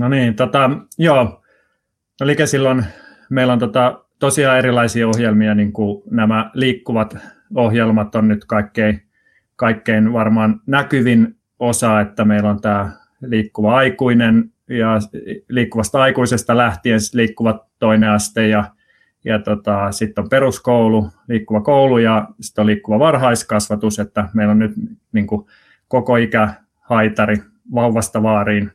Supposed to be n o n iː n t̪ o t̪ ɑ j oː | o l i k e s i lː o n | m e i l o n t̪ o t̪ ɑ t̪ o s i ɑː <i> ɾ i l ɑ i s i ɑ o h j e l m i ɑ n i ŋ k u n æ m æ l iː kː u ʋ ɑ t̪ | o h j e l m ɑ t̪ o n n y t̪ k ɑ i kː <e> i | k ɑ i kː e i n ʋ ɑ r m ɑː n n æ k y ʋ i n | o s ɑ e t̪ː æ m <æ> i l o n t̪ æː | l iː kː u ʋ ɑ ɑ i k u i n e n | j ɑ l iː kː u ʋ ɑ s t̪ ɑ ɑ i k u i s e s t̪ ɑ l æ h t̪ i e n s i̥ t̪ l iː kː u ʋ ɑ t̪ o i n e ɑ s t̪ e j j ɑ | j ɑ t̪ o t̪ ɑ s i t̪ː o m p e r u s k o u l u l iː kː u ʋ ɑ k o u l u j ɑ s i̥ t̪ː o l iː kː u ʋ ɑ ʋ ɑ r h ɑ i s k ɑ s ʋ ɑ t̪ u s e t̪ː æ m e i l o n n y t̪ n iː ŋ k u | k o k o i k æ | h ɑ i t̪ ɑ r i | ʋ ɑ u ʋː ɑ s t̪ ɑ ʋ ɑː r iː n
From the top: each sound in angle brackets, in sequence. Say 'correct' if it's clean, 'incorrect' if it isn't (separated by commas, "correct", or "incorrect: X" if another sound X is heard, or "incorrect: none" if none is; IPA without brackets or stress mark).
incorrect: e, correct, incorrect: e